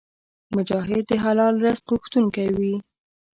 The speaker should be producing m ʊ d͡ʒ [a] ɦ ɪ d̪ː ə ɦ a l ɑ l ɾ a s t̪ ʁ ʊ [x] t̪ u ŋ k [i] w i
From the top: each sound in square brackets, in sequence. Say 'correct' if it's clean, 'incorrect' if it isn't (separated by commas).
incorrect, correct, incorrect